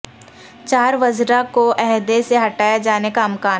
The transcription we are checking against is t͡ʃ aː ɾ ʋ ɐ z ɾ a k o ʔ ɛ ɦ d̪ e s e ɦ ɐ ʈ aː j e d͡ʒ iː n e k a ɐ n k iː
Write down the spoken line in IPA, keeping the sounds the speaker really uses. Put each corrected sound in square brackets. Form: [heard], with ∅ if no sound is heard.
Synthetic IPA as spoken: t͡ʃ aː ɾ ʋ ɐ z ɾ a k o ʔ ɛ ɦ d̪ e s e ɦ ɐ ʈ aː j [a] d͡ʒ [aː] n e k a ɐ [m] k [aː]